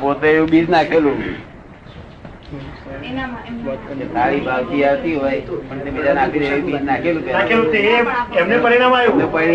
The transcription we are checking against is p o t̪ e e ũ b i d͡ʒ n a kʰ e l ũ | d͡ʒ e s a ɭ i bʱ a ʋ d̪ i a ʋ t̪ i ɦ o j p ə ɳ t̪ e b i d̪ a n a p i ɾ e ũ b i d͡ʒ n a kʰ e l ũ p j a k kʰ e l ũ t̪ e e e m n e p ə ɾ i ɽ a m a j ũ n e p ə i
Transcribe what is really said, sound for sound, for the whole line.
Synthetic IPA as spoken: p o t̪ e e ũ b i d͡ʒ n a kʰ e l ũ | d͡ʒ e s a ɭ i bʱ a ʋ t̪ i a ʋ t̪ i ɦ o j p ə ɳ t̪ e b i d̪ a n a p i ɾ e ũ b i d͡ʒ n a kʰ e l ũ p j a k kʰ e l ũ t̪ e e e m n e p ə ɾ i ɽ a m a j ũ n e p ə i